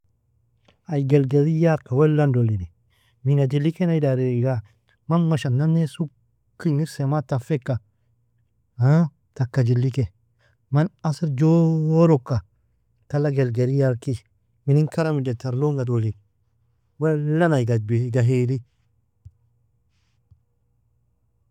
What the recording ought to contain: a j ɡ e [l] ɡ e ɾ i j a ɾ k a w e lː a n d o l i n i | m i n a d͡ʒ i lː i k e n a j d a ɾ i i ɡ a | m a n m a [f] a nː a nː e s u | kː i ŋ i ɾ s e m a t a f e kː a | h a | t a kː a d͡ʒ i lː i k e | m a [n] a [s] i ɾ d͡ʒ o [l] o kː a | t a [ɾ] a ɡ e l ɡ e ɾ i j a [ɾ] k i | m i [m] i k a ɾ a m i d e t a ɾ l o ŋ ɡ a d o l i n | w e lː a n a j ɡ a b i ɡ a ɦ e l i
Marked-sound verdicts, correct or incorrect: correct, incorrect, correct, correct, incorrect, incorrect, correct, incorrect

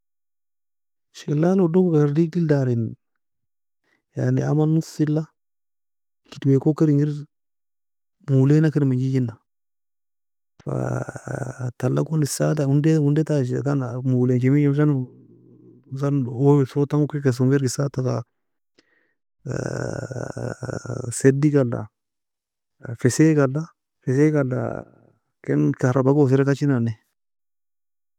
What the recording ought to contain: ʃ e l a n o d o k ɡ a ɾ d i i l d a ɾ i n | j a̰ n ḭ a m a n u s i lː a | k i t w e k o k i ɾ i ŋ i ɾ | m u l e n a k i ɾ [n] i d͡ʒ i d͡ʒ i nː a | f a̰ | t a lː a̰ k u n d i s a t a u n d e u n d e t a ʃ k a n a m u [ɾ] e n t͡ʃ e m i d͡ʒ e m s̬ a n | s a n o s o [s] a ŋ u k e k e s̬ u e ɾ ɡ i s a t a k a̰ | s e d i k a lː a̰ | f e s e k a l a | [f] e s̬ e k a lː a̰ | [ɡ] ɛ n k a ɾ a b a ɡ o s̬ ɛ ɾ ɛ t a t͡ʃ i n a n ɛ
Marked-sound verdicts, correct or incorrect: incorrect, incorrect, incorrect, correct, incorrect

